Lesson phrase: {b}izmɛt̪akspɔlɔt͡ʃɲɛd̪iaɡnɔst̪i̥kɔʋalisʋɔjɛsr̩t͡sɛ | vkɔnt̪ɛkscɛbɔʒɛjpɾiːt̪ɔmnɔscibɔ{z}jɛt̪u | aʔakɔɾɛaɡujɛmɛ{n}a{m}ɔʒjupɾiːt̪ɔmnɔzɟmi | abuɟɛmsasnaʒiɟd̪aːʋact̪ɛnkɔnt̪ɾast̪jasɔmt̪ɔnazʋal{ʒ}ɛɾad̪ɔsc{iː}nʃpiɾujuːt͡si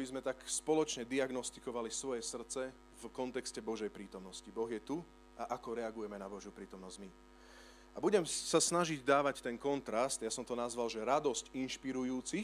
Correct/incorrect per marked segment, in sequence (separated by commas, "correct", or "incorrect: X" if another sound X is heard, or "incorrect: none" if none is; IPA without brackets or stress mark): correct, incorrect: ɣ, correct, incorrect: b, correct, incorrect: i